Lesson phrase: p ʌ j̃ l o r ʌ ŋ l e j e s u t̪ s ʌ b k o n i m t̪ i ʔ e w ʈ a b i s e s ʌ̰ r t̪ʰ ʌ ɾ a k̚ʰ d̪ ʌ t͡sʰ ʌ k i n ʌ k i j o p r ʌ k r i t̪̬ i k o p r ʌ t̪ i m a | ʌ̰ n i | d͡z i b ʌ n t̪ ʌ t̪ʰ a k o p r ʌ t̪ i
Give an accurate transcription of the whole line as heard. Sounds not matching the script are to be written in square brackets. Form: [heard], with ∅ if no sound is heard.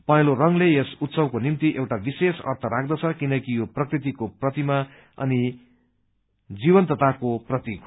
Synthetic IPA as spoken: p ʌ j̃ l o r ʌ ŋ l e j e s u t̪ s ʌ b k o n i m t̪ i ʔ e w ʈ a b i s e s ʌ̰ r t̪ʰ ʌ ɾ a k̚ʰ d̪ ʌ t͡sʰ ʌ k i n ʌ k i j o p r ʌ k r i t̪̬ i k o p r ʌ t̪ i m a | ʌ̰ n i | d͡z i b ʌ n t̪ ʌ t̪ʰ a k o p r ʌ t̪ i